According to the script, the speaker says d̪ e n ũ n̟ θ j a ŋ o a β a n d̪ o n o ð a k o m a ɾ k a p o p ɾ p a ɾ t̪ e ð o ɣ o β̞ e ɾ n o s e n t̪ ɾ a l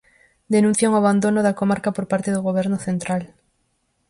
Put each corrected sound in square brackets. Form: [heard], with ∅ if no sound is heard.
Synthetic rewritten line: d̪ e n ũ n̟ θ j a ŋ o a β a n d̪ o n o ð a k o m a ɾ k a p o [∅] ɾ p a ɾ t̪ e ð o ɣ o β̞ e ɾ n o [θ] e n t̪ ɾ a l